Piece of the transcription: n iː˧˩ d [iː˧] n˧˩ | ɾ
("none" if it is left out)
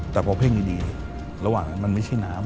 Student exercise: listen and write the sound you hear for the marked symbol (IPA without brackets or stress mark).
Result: iː˧